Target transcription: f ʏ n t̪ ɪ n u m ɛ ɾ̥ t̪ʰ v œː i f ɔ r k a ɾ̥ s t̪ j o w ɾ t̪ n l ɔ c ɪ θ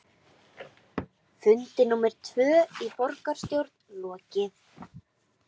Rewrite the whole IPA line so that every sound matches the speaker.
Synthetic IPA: f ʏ n t̪ ɪ n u m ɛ ɾ̥ t̪ʰ v œː i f ɔ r k a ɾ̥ s t̪ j o w ɾ t̪ n l ɔː c ɪ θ